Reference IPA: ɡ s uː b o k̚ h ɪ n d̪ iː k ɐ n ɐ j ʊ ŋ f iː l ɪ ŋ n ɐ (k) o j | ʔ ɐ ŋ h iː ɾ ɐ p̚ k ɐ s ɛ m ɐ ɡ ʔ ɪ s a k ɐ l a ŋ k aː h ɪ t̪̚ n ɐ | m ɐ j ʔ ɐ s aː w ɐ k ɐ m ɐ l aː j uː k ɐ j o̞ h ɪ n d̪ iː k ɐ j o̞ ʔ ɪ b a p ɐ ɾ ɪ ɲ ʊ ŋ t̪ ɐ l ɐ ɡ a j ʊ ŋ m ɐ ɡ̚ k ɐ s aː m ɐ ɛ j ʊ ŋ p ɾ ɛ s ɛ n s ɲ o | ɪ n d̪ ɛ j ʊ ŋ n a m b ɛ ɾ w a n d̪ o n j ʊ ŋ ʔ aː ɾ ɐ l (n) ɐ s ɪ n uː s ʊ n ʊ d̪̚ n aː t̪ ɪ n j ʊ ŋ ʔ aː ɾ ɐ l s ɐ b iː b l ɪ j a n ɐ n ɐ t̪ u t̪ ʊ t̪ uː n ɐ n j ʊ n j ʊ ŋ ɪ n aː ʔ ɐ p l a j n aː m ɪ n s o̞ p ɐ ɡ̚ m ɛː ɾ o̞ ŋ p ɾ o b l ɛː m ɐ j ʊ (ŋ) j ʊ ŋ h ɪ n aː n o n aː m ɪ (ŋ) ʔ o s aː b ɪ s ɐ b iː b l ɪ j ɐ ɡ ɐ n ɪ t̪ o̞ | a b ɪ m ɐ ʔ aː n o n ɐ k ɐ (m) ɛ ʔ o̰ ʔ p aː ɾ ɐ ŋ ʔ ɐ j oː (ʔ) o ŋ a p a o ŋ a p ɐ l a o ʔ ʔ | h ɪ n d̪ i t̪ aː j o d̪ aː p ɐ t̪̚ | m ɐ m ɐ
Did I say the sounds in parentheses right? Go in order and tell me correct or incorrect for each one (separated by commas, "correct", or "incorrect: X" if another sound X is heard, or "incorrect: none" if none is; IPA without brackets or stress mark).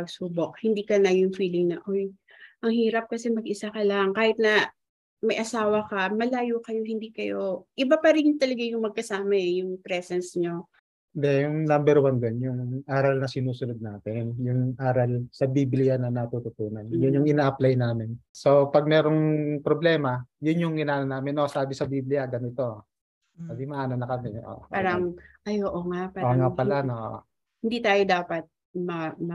incorrect: ʔ, correct, incorrect: n, incorrect: n, correct, correct